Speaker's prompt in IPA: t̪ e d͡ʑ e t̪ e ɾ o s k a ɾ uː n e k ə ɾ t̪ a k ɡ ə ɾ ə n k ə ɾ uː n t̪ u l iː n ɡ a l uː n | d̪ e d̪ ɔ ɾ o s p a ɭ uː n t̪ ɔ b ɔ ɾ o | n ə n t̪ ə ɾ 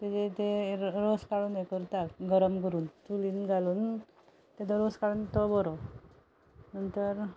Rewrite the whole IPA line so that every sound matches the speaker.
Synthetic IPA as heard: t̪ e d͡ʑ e t̪ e ɾ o s k a ɭ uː n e k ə ɾ t̪ a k ɡ ə ɾ ə m k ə ɾ uː n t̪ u l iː n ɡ a l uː n | t̪ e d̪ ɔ ɾ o s k a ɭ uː n t̪ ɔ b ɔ ɾ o | n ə n t̪ ə ɾ